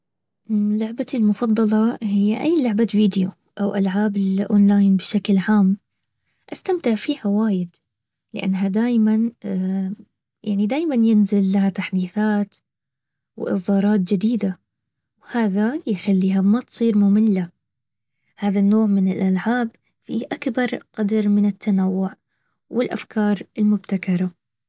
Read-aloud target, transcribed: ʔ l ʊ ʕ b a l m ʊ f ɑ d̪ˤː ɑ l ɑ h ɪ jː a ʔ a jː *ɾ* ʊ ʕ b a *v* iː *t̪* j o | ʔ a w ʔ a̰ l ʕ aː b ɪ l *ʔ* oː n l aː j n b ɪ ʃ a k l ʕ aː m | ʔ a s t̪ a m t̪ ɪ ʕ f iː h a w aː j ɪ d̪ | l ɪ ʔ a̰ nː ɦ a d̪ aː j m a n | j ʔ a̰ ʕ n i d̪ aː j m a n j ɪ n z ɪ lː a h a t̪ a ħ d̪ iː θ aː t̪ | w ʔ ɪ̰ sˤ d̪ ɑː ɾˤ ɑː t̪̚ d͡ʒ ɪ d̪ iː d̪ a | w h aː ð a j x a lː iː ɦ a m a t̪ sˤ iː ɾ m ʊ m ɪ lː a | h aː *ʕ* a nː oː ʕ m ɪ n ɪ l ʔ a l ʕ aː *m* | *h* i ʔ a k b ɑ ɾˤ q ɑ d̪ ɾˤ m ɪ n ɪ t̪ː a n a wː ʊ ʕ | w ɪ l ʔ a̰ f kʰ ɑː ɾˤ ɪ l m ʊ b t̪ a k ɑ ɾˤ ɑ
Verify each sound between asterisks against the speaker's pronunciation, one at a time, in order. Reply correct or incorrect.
incorrect: l, correct, incorrect: d̪, correct, incorrect: ð, incorrect: b, incorrect: f

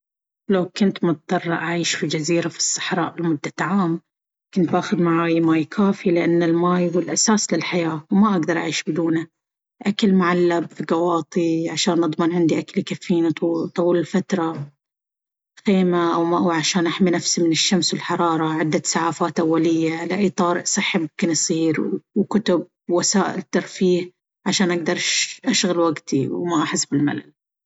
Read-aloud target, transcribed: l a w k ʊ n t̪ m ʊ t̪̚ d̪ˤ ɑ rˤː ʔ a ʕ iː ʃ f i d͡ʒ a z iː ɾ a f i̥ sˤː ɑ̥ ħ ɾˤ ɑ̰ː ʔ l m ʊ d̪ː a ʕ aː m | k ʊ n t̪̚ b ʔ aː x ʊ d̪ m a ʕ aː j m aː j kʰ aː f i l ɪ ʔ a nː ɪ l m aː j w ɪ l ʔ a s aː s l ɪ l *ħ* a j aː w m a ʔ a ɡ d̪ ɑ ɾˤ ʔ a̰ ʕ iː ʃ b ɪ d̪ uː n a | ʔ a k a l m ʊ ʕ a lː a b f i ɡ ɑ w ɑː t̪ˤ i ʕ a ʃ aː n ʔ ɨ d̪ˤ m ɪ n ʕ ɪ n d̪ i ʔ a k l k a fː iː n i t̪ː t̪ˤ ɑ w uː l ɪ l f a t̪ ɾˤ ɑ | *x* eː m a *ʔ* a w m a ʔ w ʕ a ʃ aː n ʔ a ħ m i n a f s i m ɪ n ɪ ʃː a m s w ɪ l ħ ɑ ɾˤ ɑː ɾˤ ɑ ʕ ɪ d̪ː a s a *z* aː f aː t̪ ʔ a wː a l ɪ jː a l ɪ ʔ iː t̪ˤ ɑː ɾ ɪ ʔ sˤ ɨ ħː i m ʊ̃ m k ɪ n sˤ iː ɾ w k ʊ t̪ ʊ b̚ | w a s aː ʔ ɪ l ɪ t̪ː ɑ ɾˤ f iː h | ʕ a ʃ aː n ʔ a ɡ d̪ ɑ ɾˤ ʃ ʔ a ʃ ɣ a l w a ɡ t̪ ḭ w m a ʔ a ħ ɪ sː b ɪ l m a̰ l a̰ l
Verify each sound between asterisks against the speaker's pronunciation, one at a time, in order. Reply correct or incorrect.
correct, correct, correct, incorrect: ʕ

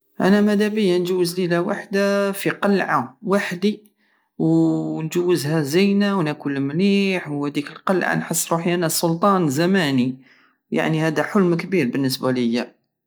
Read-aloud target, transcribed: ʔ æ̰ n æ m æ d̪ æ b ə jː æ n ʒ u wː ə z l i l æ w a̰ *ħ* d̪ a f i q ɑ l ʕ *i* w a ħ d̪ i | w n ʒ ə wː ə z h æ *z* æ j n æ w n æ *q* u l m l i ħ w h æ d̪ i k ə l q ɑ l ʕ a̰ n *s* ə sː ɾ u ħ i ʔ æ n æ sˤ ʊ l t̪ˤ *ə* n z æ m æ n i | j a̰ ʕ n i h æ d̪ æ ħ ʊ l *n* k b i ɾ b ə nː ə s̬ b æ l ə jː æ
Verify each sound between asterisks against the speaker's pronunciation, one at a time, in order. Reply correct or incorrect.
correct, incorrect: a, correct, incorrect: k, incorrect: ħ, incorrect: ɑ, incorrect: m

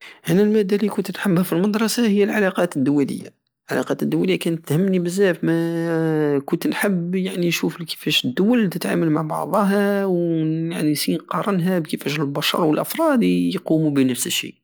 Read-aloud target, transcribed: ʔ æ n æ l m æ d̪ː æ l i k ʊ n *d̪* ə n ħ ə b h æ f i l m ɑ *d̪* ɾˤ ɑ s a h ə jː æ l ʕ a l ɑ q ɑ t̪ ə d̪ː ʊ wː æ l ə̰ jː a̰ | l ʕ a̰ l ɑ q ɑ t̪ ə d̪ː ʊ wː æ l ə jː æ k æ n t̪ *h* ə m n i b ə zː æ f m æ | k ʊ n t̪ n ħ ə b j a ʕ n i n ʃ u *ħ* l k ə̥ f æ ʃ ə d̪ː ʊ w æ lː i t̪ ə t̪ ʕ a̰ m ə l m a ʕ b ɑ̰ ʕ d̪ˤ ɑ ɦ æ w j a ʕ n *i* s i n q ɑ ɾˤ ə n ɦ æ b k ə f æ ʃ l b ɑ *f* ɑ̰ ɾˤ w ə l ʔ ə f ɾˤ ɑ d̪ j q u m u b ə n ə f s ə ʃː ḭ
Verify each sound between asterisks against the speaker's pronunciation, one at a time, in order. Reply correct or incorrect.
incorrect: t̪, correct, correct, incorrect: f, correct, incorrect: ʃ

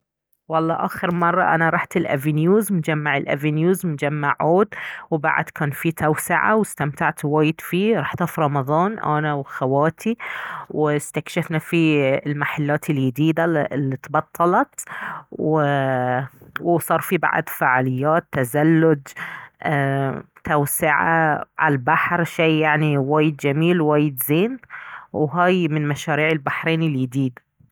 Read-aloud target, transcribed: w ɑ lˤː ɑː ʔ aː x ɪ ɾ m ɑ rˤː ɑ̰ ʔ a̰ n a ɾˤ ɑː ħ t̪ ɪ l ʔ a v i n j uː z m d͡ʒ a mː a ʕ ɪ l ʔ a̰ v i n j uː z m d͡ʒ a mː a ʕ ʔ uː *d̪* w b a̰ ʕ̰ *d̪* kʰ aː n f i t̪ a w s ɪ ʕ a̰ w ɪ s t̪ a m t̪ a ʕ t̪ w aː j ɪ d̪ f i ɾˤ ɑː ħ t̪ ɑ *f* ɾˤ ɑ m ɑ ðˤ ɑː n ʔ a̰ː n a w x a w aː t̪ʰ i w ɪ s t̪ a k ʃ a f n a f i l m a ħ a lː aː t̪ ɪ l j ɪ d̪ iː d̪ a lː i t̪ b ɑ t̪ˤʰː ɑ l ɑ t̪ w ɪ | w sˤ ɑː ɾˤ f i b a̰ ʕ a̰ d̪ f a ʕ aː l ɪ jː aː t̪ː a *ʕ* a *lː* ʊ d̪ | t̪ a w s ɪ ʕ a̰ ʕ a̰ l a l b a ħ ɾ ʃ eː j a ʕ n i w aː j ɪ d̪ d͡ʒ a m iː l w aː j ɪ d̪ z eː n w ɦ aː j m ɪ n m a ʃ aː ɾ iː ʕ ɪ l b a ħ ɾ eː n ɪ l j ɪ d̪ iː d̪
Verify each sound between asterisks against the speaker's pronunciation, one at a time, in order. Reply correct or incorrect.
correct, correct, correct, incorrect: z, correct

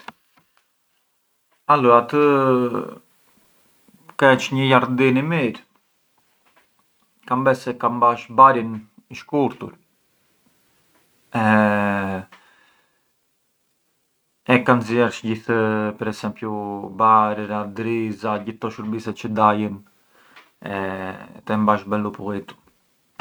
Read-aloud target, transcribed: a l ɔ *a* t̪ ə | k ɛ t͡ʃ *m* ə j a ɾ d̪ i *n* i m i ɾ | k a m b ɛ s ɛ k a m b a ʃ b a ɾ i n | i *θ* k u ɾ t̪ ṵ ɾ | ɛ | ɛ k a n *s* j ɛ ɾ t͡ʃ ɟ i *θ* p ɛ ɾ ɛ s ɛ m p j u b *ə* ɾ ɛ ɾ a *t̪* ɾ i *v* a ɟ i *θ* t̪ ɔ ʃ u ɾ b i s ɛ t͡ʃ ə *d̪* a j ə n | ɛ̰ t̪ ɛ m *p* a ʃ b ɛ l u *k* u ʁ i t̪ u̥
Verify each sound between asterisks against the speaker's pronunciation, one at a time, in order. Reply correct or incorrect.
correct, incorrect: ɲ, correct, incorrect: ʃ, incorrect: z, correct, incorrect: a, incorrect: d̪, incorrect: z, correct, correct, incorrect: b, incorrect: p

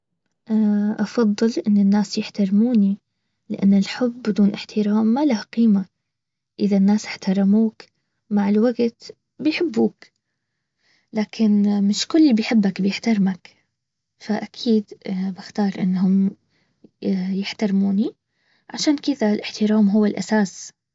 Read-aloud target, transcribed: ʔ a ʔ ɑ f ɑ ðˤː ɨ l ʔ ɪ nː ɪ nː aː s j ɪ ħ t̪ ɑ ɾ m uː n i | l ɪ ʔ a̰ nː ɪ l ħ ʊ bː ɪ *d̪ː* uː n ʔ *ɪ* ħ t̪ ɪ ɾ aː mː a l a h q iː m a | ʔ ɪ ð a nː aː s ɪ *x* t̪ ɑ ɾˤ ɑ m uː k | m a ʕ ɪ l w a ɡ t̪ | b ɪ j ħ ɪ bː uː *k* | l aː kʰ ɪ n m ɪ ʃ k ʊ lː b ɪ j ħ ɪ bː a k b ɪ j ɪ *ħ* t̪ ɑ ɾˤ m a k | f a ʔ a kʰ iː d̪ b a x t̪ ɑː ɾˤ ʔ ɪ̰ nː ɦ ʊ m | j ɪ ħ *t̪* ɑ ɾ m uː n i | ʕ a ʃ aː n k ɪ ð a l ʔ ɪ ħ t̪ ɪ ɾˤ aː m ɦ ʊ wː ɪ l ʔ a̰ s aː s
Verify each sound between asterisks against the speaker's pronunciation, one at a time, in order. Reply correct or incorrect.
incorrect: d̪, correct, incorrect: ħ, correct, correct, correct

